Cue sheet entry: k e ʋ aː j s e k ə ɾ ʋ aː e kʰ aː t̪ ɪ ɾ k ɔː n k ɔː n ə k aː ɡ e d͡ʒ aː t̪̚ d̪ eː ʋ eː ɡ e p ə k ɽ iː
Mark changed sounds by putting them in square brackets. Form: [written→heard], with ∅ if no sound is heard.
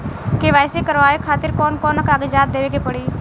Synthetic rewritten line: k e ʋ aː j s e k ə ɾ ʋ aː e kʰ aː t̪ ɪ ɾ k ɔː n k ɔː n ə k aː ɡ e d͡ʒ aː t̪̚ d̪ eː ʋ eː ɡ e p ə [k→∅] ɽ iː